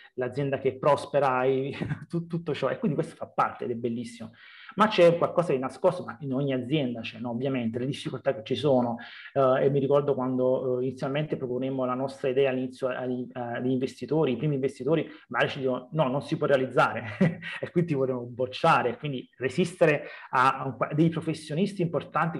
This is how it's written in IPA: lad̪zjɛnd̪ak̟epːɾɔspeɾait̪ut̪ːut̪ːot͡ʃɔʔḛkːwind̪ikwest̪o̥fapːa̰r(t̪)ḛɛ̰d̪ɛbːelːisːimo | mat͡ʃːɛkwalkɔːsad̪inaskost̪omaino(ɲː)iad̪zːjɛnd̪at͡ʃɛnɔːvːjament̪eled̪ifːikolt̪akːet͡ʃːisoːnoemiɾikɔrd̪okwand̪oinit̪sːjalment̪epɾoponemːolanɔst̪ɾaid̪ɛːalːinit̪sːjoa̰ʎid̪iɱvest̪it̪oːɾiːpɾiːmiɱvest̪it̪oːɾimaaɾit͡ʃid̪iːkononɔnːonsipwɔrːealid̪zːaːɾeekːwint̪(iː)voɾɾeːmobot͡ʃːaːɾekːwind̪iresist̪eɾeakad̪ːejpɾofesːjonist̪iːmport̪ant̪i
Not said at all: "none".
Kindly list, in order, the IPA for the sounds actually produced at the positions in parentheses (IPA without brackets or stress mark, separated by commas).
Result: t̪, ɲː, i